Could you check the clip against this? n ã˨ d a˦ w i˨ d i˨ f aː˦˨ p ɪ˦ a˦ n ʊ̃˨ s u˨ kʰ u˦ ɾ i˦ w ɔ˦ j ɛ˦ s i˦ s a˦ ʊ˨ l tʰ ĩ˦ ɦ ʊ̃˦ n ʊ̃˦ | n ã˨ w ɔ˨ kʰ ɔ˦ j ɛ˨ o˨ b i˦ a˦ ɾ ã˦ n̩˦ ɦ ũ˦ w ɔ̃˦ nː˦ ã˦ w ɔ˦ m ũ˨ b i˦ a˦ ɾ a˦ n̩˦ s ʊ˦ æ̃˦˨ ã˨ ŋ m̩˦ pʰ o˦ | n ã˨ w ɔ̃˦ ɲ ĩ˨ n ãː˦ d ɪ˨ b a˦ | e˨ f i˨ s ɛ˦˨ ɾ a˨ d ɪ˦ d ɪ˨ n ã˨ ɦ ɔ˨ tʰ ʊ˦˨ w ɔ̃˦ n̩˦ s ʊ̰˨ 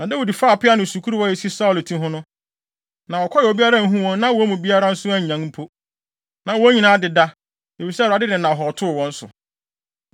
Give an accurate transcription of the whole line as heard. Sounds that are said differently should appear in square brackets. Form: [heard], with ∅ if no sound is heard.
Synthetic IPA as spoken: n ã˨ d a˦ w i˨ d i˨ f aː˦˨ p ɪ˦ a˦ n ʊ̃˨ s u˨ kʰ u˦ ɾ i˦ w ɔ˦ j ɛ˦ s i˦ s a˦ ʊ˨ l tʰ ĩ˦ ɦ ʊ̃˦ n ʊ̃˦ | n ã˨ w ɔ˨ kʰ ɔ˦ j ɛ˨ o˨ b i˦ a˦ ɾ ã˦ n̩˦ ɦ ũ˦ w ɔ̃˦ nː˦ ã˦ w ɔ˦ m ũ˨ b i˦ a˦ ɾ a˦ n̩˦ s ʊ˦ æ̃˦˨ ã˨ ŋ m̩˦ pʰ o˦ | n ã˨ w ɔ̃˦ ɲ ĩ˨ n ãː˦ d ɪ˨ [d] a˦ | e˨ f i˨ s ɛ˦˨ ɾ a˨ d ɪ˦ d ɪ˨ n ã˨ ɦ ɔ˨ tʰ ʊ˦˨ w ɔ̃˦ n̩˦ s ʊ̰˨

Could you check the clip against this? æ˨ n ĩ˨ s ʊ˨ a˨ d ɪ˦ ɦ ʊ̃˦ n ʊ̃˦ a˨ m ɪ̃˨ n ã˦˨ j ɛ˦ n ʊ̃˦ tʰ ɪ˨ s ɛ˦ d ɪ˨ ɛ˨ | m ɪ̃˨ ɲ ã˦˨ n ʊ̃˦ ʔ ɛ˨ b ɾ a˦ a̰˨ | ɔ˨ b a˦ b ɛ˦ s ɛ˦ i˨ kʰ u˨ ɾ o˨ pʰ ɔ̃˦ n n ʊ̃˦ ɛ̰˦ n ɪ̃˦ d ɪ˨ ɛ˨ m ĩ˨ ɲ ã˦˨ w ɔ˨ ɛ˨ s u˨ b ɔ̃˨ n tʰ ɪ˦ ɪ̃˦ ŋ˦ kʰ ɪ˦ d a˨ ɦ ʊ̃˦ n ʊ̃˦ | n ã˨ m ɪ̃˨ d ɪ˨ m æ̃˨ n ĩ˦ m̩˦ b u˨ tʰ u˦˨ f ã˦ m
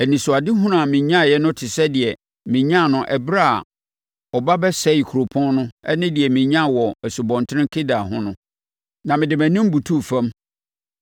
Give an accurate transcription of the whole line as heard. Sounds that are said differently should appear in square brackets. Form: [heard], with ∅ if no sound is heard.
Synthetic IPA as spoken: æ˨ n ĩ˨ s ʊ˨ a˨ d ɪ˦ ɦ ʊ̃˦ n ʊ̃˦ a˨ m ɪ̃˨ [ɲ] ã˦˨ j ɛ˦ n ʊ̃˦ tʰ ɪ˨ s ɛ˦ d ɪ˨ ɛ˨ | m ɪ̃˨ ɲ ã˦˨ n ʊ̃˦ ʔ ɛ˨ b ɾ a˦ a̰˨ | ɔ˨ b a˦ b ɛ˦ s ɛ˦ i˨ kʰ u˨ ɾ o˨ pʰ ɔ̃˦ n n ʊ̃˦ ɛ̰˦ n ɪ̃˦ d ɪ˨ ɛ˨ m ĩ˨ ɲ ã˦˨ w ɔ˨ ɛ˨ s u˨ b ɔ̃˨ n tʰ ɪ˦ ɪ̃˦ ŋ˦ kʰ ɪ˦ d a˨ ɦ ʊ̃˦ n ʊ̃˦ | n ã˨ m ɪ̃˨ d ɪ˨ m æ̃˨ n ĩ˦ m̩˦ b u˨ tʰ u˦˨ f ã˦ m

